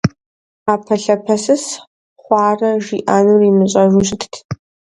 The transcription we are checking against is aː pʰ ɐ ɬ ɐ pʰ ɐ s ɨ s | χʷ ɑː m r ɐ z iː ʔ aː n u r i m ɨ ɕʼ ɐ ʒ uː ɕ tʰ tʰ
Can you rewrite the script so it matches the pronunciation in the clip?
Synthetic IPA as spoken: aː pʰ ɐ ɬ ɐ pʰ ɐ s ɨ s | χʷ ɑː r ɐ ʒ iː ʔ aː n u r i m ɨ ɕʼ ɐ ʒ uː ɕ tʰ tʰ